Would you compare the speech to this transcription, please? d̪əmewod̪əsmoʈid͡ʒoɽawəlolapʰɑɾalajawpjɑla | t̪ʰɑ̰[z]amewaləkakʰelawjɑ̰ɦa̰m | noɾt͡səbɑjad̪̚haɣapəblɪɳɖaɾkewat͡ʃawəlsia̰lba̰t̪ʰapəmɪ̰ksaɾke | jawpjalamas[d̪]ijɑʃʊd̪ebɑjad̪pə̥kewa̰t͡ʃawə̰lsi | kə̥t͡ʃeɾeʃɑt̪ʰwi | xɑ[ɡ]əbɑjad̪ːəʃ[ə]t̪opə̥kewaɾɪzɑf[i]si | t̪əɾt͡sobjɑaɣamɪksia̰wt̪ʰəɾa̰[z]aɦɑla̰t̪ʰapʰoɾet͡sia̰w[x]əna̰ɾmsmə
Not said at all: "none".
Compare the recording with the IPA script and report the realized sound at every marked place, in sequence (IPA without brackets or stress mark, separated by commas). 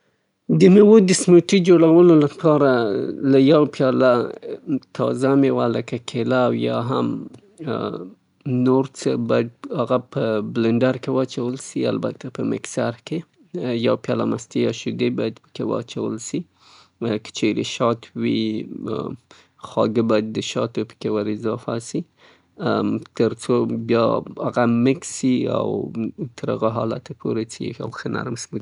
z, t̪, ɡ, ɑ, a, ɣ, x